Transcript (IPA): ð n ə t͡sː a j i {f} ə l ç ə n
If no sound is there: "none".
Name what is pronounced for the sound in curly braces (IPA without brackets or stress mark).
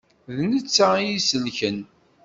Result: s